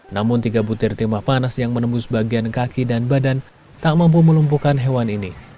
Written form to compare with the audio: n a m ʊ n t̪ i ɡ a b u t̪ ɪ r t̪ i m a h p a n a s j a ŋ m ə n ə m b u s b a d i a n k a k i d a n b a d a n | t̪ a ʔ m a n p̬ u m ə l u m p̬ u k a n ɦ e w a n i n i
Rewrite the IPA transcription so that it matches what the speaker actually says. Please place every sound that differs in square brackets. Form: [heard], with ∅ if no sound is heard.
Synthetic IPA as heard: n a m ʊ n t̪ i ɡ a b u t̪ ɪ r t̪ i m a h p a n a s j a ŋ m ə n ə m b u s b a [ɡ] i a n k a k i d a n b a d a n | t̪ a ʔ m a [m] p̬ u m ə l u m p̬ u k a n ɦ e w a n i n i